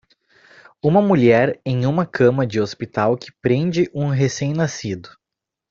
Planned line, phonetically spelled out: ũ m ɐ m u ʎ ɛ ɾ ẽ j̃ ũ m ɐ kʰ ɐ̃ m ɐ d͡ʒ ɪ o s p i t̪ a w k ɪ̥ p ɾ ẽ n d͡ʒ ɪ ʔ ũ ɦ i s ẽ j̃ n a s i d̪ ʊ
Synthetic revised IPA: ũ m ɐ m u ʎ ɛ ɾ ẽ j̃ ũ m ɐ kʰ ɐ̃ m ɐ d͡ʒ ɪ o s p i t̪ a w k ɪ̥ p ɾ ẽ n d͡ʒ ɪ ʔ ũ ɦ e s ẽ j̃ n a s i d̪ ʊ